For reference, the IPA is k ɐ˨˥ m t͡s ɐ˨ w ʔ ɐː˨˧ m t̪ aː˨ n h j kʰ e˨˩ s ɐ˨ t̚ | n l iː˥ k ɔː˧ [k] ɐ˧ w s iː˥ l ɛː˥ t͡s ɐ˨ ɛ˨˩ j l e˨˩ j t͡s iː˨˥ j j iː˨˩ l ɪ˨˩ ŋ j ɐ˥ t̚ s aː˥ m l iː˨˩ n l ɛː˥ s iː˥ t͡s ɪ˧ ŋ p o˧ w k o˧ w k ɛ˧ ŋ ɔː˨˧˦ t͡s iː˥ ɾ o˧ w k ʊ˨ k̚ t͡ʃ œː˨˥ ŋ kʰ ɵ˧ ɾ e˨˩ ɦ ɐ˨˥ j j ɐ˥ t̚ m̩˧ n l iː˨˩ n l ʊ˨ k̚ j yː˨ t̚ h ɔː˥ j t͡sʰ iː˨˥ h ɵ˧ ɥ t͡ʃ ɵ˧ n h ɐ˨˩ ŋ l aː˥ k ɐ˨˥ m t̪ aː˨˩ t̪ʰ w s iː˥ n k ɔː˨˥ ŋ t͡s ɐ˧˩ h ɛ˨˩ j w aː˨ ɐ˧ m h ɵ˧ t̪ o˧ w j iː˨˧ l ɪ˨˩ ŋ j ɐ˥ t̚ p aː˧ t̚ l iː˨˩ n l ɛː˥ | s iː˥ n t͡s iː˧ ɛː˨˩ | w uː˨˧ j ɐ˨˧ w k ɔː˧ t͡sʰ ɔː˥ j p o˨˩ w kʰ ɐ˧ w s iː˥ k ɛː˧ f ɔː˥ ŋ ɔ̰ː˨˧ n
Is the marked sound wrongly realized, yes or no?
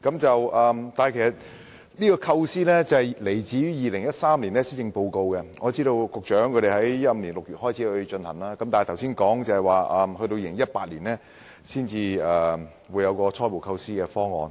yes